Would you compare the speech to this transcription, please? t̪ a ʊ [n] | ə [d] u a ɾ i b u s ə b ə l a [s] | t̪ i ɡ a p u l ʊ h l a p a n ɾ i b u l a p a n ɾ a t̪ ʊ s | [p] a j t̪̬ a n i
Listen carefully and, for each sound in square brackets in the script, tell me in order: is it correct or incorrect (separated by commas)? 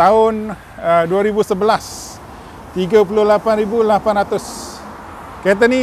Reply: correct, correct, correct, incorrect